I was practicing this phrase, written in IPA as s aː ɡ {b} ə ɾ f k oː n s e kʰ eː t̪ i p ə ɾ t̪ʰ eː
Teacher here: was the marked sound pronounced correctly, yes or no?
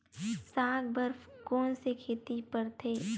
yes